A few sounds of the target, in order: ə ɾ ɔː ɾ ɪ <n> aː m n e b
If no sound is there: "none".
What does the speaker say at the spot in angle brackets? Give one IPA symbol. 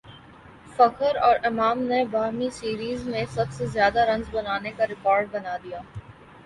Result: m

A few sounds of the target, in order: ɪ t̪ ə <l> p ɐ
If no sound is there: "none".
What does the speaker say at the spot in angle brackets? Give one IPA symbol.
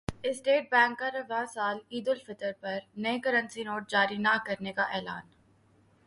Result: ɾ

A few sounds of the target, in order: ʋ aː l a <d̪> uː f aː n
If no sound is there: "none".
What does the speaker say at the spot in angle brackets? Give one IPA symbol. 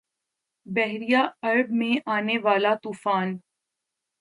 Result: t̪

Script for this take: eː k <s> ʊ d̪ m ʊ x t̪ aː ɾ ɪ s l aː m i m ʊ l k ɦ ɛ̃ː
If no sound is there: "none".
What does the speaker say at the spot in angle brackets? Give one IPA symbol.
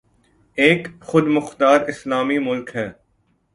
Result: x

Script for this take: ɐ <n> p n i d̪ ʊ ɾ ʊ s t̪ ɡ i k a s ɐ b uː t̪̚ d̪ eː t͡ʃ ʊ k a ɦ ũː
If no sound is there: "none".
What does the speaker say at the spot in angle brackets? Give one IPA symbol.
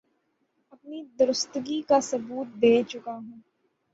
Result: none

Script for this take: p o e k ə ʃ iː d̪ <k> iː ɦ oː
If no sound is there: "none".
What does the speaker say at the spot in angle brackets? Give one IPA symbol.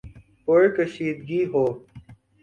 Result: ɡ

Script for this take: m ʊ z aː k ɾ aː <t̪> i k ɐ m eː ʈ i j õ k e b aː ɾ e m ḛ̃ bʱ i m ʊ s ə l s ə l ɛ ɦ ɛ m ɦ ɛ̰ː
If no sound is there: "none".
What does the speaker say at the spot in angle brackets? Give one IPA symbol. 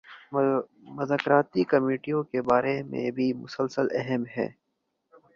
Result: t̪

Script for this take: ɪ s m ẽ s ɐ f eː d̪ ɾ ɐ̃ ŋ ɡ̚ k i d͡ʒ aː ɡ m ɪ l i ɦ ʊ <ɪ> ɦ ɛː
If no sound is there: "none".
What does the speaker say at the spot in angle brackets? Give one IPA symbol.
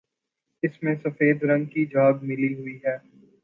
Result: i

